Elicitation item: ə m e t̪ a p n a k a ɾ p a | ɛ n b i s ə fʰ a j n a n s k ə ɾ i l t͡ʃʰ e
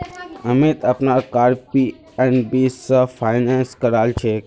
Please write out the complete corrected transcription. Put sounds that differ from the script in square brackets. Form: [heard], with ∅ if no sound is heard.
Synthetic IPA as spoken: ə m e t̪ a p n a k a ɾ p [i] | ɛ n b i s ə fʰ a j n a n s k ə ɾ [a] l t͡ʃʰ e